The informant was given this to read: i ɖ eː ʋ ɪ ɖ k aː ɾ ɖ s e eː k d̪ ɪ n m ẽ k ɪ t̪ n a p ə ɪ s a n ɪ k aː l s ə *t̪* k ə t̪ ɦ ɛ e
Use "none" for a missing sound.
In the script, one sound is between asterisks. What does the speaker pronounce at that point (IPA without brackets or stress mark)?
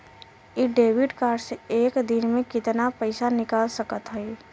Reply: none